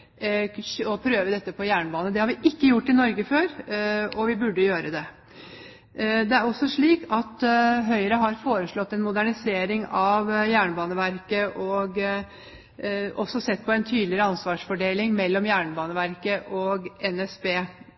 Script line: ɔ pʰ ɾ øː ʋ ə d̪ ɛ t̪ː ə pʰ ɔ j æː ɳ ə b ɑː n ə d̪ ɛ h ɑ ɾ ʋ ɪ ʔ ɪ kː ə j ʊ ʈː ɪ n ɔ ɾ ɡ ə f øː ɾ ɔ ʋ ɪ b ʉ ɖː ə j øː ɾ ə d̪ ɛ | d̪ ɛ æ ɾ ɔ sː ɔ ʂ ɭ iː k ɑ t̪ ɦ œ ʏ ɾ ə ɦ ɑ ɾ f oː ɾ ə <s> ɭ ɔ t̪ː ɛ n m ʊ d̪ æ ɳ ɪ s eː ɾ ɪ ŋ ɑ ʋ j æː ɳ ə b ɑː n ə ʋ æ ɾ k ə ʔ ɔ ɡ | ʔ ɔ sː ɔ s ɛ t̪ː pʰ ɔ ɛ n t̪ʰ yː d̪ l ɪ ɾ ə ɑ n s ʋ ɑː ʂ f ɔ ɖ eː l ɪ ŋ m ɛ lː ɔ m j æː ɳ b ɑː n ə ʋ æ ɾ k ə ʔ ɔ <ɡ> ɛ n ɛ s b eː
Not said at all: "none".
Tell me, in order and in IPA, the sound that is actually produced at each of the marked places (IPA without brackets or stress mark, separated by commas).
ʂ, ɡ